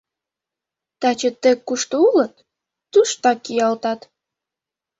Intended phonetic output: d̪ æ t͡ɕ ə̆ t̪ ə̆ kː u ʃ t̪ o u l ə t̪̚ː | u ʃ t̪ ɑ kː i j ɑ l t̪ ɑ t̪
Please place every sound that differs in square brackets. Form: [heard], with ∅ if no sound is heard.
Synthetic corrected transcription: [t̪] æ t͡ɕ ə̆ t̪ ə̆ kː u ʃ t̪ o u l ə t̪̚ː | u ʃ t̪ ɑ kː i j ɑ l t̪ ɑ t̪